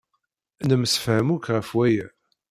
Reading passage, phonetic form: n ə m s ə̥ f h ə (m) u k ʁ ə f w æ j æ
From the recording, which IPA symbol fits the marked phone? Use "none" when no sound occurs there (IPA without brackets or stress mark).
m